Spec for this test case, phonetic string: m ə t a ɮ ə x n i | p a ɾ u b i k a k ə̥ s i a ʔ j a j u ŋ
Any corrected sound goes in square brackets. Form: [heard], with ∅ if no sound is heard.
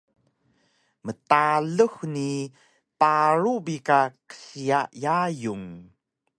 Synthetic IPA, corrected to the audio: m ə t a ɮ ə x n i | p a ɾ u b i k a k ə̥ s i a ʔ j a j u ŋ